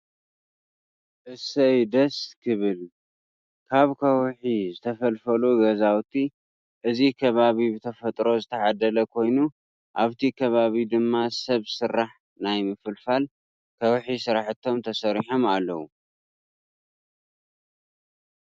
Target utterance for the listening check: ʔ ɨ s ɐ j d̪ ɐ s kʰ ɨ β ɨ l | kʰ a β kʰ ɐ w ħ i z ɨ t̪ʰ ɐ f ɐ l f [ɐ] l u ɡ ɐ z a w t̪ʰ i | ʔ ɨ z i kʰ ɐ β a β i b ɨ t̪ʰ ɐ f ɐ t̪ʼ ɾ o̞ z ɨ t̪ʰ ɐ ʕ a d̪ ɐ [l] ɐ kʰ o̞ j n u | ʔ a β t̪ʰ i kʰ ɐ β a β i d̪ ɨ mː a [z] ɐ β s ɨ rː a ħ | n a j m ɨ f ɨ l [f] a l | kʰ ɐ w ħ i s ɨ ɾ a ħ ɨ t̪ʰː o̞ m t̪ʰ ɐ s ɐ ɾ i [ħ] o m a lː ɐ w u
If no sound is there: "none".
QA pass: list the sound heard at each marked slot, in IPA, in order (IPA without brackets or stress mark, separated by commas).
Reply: ɐ, l, s, f, ħ